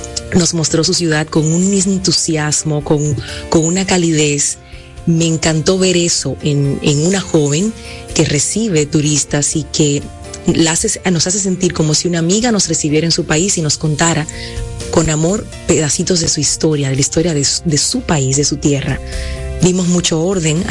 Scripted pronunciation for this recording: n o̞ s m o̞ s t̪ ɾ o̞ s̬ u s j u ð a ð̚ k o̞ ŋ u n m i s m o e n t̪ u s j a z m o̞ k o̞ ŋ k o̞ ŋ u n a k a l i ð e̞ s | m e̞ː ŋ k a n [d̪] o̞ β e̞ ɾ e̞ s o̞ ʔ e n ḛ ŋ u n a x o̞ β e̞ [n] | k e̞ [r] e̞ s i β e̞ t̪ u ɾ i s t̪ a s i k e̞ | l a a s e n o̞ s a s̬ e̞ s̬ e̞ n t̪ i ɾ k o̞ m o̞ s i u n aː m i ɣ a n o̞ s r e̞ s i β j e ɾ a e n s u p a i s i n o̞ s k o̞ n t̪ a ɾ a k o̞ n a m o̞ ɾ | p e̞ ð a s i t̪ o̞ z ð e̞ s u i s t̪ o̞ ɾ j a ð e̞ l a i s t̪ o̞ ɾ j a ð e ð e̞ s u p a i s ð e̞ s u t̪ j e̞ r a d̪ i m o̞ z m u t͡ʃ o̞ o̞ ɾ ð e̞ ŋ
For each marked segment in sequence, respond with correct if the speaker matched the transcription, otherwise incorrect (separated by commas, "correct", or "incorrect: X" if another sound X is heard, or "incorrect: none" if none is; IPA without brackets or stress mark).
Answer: incorrect: t̪, incorrect: ŋ, correct